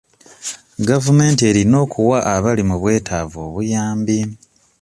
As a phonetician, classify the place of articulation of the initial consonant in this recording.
velar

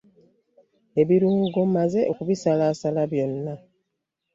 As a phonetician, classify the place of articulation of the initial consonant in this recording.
labial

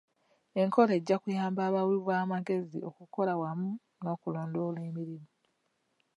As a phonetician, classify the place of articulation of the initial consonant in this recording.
velar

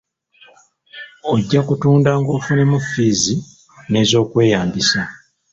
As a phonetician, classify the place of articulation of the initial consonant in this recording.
palatal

